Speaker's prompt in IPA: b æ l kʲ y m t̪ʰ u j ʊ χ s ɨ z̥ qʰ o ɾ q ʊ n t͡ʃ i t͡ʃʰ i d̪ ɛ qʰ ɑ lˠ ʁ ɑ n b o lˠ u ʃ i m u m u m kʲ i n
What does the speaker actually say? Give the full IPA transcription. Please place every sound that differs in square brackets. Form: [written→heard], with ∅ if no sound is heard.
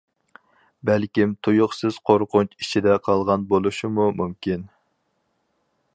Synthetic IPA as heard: b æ l kʲ [y→i] m t̪ʰ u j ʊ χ s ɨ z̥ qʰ o ɾ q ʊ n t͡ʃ i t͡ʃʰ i d̪ ɛ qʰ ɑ lˠ ʁ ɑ n b o lˠ u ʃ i m u m u m kʲ i n

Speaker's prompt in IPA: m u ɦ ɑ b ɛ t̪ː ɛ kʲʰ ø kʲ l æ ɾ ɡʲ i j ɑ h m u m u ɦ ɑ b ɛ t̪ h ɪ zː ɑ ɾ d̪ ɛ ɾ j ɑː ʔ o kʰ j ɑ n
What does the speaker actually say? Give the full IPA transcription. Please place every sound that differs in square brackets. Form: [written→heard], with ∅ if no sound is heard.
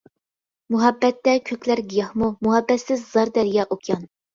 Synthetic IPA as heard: m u ɦ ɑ [b→bː] ɛ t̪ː ɛ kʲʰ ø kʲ l æ ɾ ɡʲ i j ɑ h m u m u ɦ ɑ [b→bː] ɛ t̪ [h→s] ɪ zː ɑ ɾ d̪ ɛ ɾ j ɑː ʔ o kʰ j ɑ n

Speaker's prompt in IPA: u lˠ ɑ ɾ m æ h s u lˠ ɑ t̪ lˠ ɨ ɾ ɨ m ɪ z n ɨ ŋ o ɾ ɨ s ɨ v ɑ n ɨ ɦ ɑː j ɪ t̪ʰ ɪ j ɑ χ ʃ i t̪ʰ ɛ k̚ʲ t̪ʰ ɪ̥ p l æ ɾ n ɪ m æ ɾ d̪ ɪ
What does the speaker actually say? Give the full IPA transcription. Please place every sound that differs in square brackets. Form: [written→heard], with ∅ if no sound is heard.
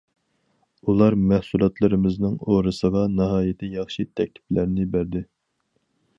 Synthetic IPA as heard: u lˠ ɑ ɾ m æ h s u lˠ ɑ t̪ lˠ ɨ ɾ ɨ m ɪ z n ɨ ŋ o ɾ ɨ s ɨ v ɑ n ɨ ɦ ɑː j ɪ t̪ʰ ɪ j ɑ χ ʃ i t̪ʰ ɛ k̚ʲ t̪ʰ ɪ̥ p l æ ɾ n ɪ [m→b] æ ɾ d̪ ɪ

